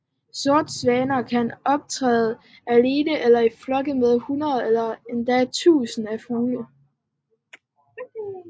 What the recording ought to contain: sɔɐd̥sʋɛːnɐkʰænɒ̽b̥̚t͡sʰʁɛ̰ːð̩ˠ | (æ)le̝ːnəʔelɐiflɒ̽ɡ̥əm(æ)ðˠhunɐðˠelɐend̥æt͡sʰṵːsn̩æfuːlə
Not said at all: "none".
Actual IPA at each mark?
æ, e

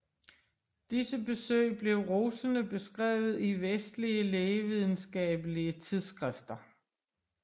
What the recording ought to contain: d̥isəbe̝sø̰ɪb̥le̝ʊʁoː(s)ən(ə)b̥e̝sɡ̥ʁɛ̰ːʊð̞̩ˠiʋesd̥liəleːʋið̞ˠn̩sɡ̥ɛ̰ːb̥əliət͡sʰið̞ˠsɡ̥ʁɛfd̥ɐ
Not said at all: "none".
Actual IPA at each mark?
s, ə

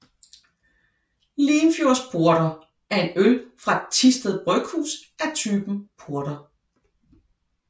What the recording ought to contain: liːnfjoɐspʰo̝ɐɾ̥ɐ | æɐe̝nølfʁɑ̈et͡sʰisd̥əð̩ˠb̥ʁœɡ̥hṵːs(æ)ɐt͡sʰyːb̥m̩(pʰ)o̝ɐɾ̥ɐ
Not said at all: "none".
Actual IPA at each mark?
æ, pʰ

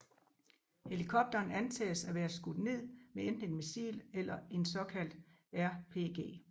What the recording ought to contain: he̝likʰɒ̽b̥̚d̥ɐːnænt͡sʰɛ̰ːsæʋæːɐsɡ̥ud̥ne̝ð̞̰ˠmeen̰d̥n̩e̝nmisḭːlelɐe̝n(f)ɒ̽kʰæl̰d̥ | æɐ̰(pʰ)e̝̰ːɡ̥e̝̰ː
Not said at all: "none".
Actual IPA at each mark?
s, pʰ

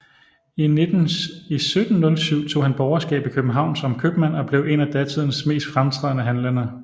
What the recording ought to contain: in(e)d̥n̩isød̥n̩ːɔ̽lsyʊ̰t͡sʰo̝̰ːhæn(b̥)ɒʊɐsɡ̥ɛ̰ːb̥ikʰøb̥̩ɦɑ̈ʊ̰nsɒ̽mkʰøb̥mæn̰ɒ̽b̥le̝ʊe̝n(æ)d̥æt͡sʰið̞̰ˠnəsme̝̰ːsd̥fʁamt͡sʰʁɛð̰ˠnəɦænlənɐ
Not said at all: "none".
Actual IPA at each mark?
e, b̥, æ

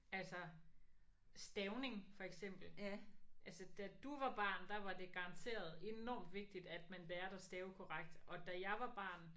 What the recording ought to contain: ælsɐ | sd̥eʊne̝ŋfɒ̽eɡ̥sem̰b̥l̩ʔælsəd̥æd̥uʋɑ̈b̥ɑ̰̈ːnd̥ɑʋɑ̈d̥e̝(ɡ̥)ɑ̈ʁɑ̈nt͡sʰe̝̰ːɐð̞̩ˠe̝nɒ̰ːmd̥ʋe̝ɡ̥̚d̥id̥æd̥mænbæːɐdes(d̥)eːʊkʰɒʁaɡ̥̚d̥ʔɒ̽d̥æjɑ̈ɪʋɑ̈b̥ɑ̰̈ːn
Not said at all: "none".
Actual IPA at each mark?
ɡ̥, d̥

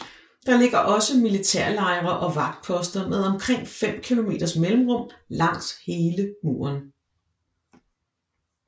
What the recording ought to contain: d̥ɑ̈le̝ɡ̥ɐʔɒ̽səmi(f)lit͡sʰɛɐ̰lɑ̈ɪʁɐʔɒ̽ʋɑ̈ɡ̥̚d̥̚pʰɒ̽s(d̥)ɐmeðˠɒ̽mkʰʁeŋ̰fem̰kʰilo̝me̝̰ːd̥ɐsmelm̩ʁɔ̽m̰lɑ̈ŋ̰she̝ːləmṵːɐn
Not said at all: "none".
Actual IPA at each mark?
none, d̥

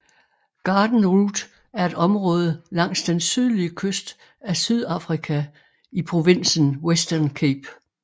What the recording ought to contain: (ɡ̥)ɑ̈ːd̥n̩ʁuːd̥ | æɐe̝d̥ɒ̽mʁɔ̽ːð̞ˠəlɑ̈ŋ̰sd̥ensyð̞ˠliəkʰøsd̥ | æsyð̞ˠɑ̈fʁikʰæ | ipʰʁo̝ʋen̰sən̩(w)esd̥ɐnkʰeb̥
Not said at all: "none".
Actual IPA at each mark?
ɡ̥, w

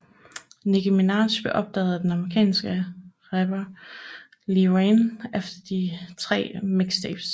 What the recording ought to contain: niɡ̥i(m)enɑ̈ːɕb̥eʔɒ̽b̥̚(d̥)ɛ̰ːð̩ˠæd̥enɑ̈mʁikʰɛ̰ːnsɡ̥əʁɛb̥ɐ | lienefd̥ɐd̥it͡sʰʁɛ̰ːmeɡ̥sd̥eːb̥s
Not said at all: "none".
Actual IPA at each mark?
m, d̥

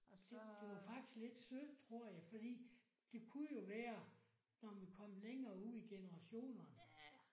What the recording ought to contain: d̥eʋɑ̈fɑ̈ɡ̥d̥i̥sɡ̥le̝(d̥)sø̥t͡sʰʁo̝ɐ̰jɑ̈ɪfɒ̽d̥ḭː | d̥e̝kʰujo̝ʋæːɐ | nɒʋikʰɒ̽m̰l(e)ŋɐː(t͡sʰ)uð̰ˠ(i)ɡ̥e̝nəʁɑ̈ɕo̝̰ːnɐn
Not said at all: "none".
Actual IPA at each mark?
d̥, e, none, i

